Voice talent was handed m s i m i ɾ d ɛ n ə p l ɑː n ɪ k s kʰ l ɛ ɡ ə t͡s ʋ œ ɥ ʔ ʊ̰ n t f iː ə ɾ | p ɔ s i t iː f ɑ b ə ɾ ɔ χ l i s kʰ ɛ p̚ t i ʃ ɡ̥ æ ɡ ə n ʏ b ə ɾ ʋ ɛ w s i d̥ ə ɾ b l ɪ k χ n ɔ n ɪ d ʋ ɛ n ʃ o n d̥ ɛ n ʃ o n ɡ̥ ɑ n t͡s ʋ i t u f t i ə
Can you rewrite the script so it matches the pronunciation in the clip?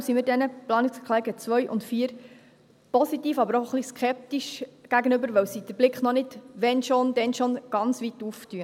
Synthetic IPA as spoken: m s i m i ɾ d ɛ n ə p l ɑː n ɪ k s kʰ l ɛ ɡ ə t͡s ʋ œ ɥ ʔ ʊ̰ n t f iː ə ɾ | p ɔ s i t iː f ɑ b ə ɾ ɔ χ l i s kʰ ɛ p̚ t i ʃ ɡ̥ æ ɡ ə n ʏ b ə ɾ ʋ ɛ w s i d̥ ə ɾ b l ɪ k χ n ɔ n ɪ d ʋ ɛ n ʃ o n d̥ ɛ n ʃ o n ɡ̥ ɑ n t͡s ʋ i t u f t y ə